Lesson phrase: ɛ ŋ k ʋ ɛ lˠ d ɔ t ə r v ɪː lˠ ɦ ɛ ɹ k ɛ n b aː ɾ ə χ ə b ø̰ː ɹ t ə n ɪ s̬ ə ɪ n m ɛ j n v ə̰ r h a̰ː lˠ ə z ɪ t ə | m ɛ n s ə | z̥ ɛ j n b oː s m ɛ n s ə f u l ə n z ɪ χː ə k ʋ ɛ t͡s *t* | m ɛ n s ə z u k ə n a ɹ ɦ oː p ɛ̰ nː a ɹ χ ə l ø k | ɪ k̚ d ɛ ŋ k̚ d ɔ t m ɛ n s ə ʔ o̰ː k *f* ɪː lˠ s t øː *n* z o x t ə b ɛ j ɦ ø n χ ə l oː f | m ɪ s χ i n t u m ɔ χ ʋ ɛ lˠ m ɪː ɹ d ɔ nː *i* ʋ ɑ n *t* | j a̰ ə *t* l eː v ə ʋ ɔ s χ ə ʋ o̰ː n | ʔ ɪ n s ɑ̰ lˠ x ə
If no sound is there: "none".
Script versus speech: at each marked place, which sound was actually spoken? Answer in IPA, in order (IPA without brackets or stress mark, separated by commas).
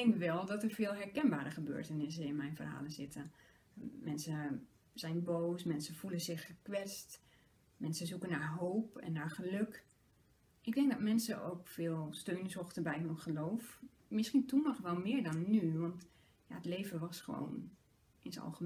t, f, n, y, t, t